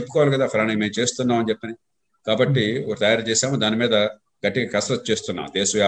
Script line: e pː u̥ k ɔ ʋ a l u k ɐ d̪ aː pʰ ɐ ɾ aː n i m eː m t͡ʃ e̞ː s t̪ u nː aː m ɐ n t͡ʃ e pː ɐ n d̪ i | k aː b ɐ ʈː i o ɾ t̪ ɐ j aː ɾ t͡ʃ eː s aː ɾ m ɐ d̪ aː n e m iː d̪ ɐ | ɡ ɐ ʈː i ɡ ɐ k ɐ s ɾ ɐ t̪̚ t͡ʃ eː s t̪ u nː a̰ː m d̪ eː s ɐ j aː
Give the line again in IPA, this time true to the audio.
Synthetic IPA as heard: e pː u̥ k ɔ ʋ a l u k ɐ d̪ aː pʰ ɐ ɾ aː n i m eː m t͡ʃ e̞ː s t̪ u nː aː m ɐ n t͡ʃ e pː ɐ n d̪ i | k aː b ɐ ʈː i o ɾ t̪ ɐ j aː ɾ t͡ʃ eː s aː m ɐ d̪ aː n i m iː d̪ ɐ | ɡ ɐ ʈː i ɡ ɐ k ɐ s ɾ ɐ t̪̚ t͡ʃ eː s t̪ u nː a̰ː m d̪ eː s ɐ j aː